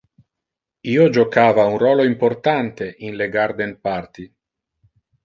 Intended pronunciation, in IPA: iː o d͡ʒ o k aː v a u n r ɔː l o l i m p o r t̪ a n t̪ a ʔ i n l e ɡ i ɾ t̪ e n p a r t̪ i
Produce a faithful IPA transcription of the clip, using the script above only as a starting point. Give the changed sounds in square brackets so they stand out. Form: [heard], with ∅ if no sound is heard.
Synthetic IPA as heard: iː o d͡ʒ o k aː v a u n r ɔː l o [∅] i m p o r t̪ a n t̪ [e] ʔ i n l e ɡ [a] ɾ [d̪] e n p a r t̪ i

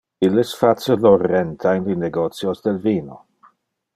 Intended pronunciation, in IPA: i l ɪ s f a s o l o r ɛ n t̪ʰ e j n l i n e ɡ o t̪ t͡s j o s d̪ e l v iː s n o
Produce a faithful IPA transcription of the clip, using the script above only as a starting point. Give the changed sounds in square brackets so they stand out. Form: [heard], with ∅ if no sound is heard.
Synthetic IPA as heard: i l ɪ s f a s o l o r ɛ n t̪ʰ [a] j n l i n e ɡ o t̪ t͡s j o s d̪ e l v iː [∅] n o

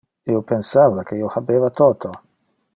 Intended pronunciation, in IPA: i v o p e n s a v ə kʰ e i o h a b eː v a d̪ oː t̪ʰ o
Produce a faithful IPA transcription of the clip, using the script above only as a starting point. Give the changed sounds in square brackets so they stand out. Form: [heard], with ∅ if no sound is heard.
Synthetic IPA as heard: i [∅] o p e n s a v [a] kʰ e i o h a b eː v a [t̪] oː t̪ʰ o

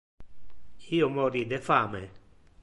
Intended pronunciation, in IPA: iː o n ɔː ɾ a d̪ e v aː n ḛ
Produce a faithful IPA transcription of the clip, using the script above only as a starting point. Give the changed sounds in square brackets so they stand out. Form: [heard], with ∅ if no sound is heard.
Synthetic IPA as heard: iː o [m] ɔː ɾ [i] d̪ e [f] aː [m] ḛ

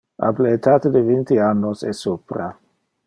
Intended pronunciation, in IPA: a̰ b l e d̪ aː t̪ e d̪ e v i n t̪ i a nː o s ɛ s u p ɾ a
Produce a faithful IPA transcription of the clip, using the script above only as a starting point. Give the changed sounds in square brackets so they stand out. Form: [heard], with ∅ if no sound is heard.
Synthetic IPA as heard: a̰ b l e [t̪] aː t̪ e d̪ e v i n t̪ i a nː o s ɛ s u p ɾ a

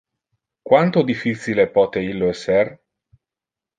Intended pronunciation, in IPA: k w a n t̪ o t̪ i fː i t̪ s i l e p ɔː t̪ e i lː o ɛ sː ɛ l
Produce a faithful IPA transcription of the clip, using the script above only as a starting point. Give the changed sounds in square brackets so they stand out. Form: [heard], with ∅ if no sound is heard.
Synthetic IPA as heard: k w a n t̪ o [d̪] i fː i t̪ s i l e p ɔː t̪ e i lː o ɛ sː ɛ [r]

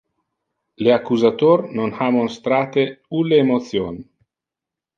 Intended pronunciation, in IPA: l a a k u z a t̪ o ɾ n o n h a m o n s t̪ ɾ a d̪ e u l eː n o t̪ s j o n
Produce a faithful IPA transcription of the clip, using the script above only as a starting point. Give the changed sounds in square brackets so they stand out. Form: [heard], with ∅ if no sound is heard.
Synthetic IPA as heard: l [e] a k u z a t̪ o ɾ n o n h a m o n s t̪ ɾ a [t̪] e u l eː [m] o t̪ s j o n

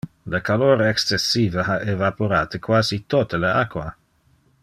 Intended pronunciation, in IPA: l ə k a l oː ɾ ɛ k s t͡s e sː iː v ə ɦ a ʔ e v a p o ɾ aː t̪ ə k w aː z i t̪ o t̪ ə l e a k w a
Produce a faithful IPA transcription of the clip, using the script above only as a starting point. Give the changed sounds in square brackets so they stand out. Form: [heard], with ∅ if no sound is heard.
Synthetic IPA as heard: l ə k a l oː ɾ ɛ k s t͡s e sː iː v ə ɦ a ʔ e v a p o ɾ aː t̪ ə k w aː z i t̪ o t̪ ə l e a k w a

